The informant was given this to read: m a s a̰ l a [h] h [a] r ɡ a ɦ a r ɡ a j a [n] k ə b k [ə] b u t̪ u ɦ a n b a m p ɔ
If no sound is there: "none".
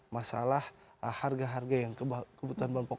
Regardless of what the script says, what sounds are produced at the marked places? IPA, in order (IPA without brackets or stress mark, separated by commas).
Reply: h, a, ŋ, ə